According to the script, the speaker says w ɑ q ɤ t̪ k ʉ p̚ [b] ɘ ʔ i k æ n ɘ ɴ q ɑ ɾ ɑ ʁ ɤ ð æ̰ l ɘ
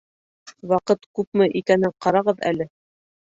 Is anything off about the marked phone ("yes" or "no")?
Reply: yes